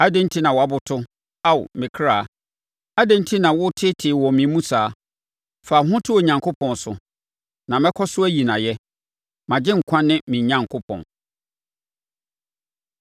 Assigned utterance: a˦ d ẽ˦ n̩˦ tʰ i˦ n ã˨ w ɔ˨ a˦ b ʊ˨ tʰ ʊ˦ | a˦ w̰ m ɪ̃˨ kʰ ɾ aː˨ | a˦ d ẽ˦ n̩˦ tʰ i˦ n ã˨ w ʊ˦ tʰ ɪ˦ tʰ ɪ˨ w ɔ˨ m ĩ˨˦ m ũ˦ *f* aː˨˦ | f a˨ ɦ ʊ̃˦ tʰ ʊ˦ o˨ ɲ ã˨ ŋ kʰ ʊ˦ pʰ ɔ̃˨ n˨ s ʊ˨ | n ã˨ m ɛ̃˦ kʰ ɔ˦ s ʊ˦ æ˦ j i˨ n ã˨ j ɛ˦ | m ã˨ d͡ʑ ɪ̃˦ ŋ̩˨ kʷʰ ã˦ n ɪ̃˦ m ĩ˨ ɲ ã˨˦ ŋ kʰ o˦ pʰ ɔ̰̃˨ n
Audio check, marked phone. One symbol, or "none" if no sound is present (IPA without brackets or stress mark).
s